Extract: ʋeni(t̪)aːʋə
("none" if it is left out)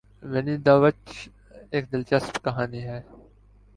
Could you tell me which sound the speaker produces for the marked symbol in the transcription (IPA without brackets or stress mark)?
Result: d̪